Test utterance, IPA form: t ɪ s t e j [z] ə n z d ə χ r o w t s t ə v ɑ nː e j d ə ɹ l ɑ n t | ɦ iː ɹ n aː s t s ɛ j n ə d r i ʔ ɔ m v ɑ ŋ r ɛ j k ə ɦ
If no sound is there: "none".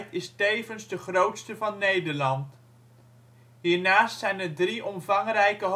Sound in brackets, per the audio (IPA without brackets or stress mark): v